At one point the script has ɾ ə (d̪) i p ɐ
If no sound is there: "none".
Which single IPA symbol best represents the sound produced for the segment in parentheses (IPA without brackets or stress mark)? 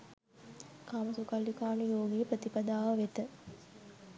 t̪